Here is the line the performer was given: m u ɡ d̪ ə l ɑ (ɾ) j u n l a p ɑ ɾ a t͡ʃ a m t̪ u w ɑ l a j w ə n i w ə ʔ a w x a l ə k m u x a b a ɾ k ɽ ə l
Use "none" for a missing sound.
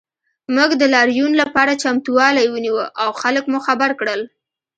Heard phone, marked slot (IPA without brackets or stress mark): ɾ